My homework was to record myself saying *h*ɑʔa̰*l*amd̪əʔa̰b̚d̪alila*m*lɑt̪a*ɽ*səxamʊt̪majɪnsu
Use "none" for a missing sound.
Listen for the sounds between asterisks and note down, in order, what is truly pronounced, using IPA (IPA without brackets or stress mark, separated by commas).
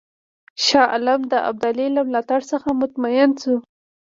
ʃ, l, m, ɽ